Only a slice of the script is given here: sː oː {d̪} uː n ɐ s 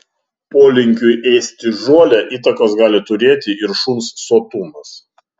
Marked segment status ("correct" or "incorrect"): incorrect